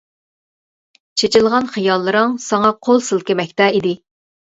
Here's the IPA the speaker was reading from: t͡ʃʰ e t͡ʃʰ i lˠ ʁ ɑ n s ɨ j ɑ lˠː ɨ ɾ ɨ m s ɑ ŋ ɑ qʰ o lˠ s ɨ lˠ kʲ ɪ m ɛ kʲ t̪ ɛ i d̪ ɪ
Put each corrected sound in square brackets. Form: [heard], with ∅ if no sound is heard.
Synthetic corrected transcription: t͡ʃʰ e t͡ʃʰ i lˠ ʁ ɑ n [χ] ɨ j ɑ lˠː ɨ ɾ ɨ [ŋ] s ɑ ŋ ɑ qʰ o lˠ s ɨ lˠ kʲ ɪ m ɛ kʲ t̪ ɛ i d̪ ɪ